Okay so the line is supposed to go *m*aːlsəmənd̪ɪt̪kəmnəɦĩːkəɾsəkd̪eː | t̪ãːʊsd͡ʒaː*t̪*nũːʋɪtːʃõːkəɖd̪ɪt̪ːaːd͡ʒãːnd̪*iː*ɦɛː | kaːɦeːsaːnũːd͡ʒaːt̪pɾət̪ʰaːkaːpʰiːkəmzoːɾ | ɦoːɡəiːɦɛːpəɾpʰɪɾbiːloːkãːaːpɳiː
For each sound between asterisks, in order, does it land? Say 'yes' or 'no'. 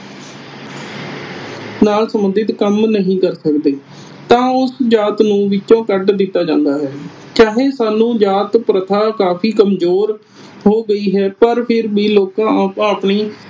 no, yes, no

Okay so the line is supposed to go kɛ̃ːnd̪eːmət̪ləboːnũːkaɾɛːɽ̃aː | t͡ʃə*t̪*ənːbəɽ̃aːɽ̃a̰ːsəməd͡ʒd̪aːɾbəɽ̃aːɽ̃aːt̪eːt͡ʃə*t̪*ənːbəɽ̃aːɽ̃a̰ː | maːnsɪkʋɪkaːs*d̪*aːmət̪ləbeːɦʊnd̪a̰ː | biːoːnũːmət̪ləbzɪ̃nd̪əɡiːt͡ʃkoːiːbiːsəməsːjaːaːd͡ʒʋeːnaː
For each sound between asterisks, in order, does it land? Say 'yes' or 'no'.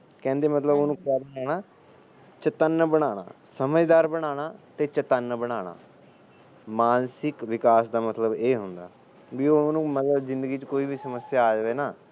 yes, yes, yes

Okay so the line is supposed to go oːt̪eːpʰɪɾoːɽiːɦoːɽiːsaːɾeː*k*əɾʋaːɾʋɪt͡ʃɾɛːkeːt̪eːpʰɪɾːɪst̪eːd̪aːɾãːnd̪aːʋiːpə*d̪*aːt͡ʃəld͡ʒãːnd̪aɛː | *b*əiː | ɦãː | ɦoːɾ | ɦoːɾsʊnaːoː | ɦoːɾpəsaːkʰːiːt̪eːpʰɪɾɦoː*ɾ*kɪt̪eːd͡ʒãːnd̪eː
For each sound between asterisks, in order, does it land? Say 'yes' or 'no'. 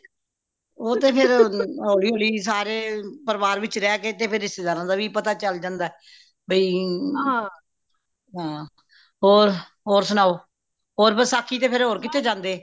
no, no, yes, yes

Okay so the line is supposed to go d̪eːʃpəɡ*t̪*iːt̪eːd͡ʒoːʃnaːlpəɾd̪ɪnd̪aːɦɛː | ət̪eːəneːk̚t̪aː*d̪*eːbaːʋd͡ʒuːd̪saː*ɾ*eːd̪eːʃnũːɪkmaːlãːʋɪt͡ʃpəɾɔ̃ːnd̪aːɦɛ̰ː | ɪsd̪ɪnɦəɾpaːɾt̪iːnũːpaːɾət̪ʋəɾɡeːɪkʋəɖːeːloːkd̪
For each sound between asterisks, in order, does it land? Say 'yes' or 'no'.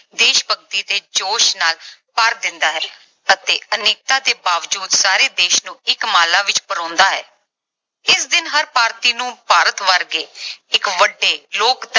yes, no, yes

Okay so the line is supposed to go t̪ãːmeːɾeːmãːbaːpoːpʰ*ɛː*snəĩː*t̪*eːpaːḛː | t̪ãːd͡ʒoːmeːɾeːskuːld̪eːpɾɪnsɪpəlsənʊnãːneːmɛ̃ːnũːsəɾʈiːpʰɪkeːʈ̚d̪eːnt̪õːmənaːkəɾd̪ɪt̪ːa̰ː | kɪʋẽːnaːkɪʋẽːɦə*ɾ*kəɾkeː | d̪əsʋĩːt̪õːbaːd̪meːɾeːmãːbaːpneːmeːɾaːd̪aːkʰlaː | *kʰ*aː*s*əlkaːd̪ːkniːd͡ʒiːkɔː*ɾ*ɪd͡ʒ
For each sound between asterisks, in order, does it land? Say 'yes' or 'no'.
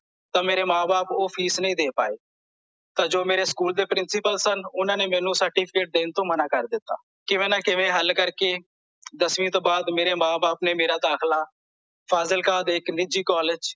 no, no, no, no, no, no

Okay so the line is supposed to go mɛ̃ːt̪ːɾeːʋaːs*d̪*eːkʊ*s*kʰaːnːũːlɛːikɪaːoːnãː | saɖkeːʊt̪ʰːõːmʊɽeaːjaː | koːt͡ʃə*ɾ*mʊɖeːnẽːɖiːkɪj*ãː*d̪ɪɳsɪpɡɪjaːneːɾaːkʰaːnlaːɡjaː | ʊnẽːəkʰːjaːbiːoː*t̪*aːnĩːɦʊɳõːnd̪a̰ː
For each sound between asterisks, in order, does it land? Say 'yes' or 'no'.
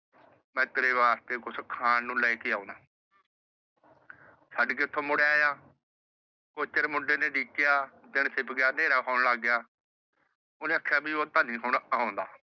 no, yes, yes, no, yes

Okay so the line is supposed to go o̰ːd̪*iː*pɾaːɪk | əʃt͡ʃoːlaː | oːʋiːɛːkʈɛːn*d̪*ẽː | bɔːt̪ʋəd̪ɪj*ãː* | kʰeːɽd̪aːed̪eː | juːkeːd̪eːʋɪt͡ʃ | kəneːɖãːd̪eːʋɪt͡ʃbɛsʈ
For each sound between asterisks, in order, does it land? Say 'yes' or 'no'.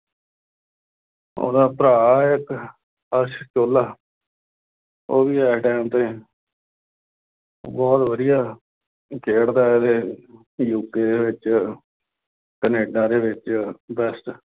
no, no, no

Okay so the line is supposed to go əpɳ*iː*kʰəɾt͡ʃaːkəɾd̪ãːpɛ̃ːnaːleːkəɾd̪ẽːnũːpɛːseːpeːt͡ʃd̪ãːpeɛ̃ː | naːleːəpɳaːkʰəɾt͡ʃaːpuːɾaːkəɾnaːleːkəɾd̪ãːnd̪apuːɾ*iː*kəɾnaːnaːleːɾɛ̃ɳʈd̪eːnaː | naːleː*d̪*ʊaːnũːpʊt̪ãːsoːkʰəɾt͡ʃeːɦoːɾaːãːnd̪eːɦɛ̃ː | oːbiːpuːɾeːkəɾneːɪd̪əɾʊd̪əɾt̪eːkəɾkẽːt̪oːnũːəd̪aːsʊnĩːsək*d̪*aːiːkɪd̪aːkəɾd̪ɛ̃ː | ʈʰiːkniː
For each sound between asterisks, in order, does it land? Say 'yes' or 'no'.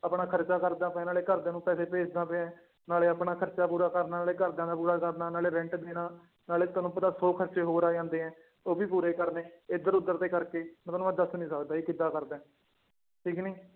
no, no, no, yes

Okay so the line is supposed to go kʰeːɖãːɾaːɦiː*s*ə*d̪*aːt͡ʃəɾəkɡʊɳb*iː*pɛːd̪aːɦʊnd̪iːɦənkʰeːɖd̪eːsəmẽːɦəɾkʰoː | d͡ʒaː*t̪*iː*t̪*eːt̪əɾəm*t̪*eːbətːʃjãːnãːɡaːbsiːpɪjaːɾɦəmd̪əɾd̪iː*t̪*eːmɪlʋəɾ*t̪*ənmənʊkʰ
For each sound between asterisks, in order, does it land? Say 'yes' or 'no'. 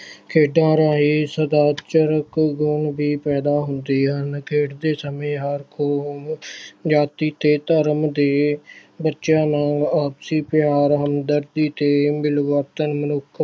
yes, yes, yes, yes, yes, no, yes, yes

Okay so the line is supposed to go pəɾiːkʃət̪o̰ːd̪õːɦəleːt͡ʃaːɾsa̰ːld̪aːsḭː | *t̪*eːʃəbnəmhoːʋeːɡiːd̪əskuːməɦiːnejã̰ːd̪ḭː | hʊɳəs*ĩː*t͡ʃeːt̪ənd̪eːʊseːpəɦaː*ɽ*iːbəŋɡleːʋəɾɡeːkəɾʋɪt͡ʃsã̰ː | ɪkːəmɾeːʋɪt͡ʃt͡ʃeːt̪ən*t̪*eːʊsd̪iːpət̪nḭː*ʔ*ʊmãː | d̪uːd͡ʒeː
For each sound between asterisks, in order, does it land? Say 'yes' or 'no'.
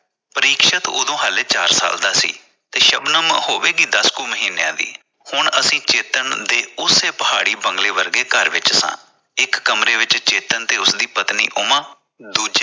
yes, yes, yes, yes, yes

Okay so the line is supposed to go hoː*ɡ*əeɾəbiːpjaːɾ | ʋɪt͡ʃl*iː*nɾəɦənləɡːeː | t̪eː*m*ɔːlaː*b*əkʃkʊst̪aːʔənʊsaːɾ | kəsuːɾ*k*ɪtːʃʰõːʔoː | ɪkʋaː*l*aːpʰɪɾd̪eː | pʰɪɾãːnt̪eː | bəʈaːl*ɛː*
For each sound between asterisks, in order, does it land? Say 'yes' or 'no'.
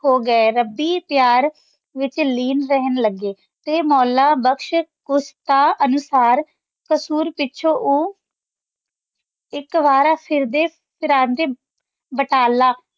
yes, yes, yes, yes, no, no, no

